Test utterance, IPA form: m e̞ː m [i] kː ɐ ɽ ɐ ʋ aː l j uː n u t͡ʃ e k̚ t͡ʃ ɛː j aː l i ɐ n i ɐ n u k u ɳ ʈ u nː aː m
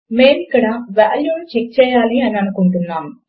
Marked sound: correct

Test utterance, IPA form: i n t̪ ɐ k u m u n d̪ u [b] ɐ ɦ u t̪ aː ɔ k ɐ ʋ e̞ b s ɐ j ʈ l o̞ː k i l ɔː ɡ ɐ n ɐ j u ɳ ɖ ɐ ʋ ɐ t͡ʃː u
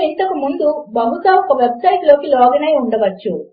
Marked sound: correct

